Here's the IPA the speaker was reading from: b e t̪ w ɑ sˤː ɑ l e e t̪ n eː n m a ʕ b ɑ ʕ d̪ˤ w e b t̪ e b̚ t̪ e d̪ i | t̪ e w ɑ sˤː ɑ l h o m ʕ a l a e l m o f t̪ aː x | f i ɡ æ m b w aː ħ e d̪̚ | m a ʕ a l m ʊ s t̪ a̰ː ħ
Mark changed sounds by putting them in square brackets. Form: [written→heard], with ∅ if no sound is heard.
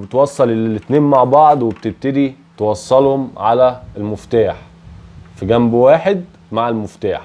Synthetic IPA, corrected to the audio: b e t̪ w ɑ sˤː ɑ l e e t̪ n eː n m a ʕ b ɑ ʕ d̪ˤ w e b t̪ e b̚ t̪ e d̪ i | t̪ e w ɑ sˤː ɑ l h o m ʕ a l [a→æ] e l m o f t̪ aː [x→ħ] | f i ɡ æ m b w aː ħ e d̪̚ | m a ʕ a l m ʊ [s→f] t̪ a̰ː ħ

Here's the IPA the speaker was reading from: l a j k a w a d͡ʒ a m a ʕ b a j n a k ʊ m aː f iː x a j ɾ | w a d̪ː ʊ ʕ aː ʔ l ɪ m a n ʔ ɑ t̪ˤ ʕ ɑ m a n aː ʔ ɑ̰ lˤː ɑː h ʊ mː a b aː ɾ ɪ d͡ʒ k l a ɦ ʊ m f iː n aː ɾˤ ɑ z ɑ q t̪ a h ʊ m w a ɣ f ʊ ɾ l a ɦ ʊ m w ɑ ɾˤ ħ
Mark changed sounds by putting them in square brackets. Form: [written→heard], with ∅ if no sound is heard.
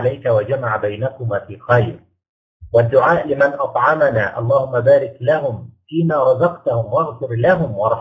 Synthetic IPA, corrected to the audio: l a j k a w a d͡ʒ a m a ʕ b a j n a k ʊ m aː f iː x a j ɾ | w a d̪ː ʊ ʕ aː ʔ l ɪ m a n ʔ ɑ t̪ˤ ʕ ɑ m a n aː ʔ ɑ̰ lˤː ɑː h ʊ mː a b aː ɾ ɪ [d͡ʒ→∅] k l a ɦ ʊ m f iː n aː ɾˤ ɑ z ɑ q t̪ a h ʊ m w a ɣ f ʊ ɾ l a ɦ ʊ m w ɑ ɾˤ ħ

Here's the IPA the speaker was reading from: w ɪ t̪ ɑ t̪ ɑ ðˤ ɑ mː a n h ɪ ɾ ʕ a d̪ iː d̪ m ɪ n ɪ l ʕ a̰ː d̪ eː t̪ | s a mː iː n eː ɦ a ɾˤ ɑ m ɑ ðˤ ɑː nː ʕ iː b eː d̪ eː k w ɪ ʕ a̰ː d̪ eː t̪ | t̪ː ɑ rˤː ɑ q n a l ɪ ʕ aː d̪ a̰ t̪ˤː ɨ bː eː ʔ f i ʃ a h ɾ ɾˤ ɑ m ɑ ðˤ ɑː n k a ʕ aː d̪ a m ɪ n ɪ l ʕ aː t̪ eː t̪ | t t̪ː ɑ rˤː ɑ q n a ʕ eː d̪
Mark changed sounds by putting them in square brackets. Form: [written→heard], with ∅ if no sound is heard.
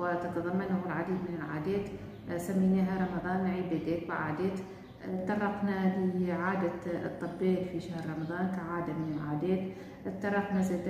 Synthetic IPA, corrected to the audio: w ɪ t̪ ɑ t̪ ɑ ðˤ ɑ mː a n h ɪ [ɾ→l] ʕ a d̪ iː d̪ m ɪ n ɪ l ʕ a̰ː d̪ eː t̪ | s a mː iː n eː ɦ a ɾˤ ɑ m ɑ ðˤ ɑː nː ʕ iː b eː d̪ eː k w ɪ ʕ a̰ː d̪ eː t̪ | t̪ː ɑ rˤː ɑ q n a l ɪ ʕ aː d̪ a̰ t̪ˤː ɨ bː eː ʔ f i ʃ a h ɾ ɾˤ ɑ m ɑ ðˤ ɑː n k a ʕ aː d̪ a m ɪ n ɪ l ʕ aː [t̪→d̪] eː t̪ | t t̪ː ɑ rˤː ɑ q n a [ʕ→z] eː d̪

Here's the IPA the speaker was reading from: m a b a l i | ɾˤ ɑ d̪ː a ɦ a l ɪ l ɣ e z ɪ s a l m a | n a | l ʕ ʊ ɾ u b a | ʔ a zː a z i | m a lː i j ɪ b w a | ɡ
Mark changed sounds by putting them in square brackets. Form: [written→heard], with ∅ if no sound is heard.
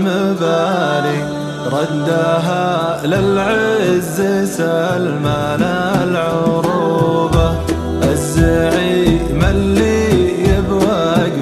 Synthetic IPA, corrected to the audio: m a b a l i | ɾˤ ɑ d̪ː a ɦ a l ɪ l [ɣ→ʕ] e z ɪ s a l m a | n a | l ʕ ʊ ɾ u b a | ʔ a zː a [z→ʕ] i | m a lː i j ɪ b w a | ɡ

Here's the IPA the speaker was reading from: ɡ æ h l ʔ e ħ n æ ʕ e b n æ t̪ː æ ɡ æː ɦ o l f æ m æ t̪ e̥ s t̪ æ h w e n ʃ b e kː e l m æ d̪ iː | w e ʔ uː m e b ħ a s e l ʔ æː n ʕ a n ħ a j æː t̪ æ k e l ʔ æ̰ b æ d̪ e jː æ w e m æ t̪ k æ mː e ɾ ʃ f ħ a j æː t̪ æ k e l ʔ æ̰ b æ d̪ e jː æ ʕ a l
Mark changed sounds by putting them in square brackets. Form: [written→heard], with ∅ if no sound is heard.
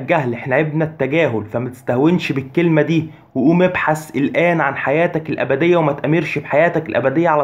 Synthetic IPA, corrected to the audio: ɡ æ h l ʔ e ħ n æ ʕ e b n æ t̪ː æ ɡ æː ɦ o l f æ m æ t̪ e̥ s t̪ æ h w e n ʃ b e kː e l m æ d̪ iː | w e ʔ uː m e b ħ a s e l ʔ æː n ʕ a n ħ a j æː t̪ æ k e l ʔ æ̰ b æ d̪ e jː æ w e m æ t̪ [k→ʔ] æ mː e ɾ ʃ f ħ a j æː t̪ æ k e l ʔ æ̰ b æ d̪ e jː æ ʕ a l

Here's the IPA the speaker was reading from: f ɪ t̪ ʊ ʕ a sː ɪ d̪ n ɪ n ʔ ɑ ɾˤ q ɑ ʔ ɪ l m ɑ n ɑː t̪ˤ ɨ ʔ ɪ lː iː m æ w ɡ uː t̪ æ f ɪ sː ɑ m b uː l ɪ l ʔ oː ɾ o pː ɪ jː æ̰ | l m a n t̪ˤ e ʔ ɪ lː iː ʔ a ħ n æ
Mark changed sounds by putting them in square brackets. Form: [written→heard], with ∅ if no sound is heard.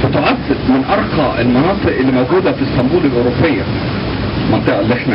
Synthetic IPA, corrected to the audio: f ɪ t̪ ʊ ʕ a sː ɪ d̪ [n→m] ɪ n ʔ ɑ ɾˤ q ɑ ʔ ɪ l m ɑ n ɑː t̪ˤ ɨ ʔ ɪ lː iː m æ w ɡ uː [t̪→d̪] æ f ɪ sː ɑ m b uː l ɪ l ʔ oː ɾ o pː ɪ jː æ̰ | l m [a→ɑ] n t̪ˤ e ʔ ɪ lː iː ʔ [a→e] ħ n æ

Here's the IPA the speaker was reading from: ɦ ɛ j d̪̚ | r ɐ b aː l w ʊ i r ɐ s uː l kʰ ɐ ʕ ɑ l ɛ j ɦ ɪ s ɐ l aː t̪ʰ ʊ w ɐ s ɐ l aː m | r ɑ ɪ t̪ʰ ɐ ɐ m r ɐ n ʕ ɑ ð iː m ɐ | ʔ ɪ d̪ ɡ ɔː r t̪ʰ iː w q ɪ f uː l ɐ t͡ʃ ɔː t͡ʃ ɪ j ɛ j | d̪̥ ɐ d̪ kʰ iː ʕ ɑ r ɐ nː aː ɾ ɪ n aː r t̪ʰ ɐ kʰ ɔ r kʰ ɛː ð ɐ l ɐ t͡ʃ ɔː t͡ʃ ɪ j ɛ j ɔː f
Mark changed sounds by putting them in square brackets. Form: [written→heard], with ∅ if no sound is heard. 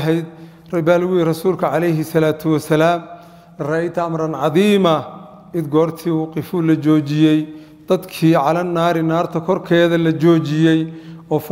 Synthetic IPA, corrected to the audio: ɦ ɛ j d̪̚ | r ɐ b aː l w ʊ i r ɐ s uː l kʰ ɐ ʕ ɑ l ɛ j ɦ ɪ s ɐ l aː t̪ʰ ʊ w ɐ s ɐ l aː m | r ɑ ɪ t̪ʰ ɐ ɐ m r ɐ n ʕ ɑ ð iː m ɐ | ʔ ɪ d̪ ɡ ɔː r t̪ʰ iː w q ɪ f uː l ɐ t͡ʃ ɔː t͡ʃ ɪ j ɛ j | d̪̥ ɐ d̪ kʰ iː ʕ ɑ [r→l] ɐ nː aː ɾ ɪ n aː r t̪ʰ ɐ kʰ ɔ r kʰ ɛː ð ɐ l ɐ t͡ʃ ɔː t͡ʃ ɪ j ɛ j ɔː f

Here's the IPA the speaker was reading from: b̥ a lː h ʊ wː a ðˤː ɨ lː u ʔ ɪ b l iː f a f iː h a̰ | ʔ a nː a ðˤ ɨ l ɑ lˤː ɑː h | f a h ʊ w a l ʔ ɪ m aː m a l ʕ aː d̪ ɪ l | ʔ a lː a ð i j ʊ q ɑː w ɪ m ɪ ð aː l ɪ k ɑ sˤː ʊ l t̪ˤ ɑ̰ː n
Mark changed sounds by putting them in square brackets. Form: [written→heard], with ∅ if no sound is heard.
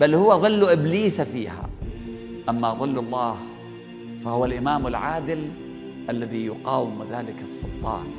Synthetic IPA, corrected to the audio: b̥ a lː h ʊ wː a [ðˤː→ðˤ] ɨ lː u ʔ ɪ b l iː [f→s] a f iː h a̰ | ʔ a [nː→mː] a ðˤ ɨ [l→lː] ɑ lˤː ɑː h | f a h ʊ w a l ʔ ɪ m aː m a l ʕ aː d̪ ɪ l | ʔ a lː a ð i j ʊ q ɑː w ɪ m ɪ ð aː l ɪ k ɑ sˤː ʊ l t̪ˤ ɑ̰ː n

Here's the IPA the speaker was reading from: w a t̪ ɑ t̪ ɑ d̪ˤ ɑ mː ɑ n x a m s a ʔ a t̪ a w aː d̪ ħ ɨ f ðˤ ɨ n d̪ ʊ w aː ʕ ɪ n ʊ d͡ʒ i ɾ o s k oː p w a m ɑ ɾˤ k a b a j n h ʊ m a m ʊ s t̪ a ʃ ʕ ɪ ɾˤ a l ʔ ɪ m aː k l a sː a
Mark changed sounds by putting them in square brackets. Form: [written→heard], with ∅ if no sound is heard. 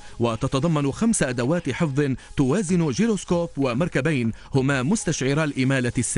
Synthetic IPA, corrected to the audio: w a t̪ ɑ t̪ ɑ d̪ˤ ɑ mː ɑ n x a m s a ʔ a [t̪→d̪] a w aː [d̪→t̪] ħ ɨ f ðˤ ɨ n [d̪→t̪] ʊ w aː [ʕ→z] ɪ n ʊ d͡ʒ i ɾ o s k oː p w a m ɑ ɾˤ k a b a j n h ʊ m a m ʊ s t̪ a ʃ ʕ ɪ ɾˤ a l ʔ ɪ m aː [k→∅] l a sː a

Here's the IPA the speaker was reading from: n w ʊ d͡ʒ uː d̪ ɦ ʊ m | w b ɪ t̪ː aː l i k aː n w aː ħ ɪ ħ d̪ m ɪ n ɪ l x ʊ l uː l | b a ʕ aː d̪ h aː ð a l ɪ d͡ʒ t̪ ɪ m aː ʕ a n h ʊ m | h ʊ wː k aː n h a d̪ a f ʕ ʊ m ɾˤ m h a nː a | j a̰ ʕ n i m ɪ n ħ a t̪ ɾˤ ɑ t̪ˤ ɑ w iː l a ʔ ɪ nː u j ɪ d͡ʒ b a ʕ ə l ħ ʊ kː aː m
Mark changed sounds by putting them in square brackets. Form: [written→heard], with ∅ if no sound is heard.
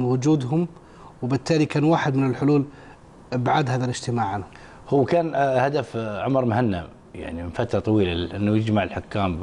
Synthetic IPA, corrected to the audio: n w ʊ d͡ʒ uː d̪ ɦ ʊ m | w b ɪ t̪ː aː l i k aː n w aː ħ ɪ [ħ→∅] d̪ m ɪ n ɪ l [x→ħ] ʊ l uː l | b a ʕ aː d̪ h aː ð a l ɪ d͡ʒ t̪ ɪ m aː ʕ a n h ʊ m | h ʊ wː k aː n h a d̪ a f ʕ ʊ m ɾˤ m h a nː a | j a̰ ʕ n i m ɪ n [ħ→f] a t̪ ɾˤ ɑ t̪ˤ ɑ w iː l a ʔ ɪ nː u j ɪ d͡ʒ [b→m] a ʕ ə l ħ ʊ kː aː m

